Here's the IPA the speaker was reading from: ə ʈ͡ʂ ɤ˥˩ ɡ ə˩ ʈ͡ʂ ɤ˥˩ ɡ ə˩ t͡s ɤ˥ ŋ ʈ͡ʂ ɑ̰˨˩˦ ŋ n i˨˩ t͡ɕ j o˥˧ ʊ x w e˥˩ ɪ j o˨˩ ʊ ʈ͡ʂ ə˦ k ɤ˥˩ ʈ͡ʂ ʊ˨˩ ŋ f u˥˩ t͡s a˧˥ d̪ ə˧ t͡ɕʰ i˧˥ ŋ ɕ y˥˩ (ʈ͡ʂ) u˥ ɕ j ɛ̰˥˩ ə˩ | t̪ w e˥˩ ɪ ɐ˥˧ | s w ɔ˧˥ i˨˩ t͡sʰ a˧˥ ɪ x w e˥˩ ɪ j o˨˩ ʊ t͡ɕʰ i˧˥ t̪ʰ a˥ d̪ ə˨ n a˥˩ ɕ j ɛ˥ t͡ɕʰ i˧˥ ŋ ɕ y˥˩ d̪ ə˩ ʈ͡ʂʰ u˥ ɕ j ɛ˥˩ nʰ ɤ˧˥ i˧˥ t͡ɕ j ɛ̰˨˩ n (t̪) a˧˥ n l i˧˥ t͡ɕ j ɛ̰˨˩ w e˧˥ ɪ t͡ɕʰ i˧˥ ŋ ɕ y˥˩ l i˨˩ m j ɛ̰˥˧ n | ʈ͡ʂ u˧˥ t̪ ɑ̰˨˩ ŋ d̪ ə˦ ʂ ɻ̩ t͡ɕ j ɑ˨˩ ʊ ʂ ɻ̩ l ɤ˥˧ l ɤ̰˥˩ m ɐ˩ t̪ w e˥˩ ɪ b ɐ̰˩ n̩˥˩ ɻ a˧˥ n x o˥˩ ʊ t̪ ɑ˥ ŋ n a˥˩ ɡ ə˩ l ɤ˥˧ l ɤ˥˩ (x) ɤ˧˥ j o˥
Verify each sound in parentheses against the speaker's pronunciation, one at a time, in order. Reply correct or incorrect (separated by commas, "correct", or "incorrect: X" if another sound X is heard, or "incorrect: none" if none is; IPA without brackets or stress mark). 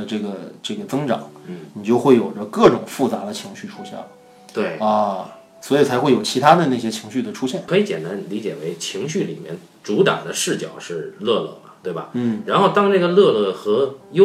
incorrect: ʈ͡ʂʰ, correct, correct